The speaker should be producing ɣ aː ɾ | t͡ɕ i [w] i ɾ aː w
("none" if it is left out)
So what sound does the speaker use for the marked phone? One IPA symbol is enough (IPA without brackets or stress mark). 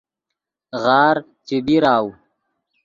b